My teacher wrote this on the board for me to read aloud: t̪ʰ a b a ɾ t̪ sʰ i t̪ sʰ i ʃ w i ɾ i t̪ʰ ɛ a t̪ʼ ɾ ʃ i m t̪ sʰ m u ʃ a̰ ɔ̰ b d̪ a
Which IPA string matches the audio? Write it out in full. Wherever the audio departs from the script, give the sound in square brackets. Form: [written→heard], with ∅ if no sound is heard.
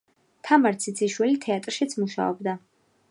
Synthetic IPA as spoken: t̪ʰ a [b→m] a ɾ t̪ sʰ i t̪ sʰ i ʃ w i [ɾ→l] i t̪ʰ ɛ a t̪ʼ ɾ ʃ i [m→∅] t̪ sʰ m u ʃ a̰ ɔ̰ b d̪ a